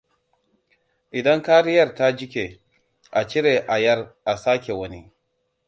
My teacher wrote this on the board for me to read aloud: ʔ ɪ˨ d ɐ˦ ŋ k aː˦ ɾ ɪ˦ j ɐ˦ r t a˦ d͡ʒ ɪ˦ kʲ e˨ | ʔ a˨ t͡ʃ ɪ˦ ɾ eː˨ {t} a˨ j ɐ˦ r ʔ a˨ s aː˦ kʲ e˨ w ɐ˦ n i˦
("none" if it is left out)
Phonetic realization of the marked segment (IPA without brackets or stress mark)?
ʔ